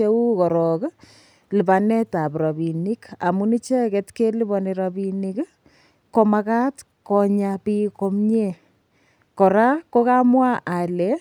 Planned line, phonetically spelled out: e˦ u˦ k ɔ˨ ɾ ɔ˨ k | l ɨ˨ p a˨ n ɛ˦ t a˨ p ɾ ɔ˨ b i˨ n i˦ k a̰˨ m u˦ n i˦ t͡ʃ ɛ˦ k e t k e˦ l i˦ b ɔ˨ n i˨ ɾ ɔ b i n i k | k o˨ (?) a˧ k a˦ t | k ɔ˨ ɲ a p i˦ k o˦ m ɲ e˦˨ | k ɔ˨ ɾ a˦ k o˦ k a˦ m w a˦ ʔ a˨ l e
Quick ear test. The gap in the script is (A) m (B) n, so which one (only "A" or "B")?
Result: A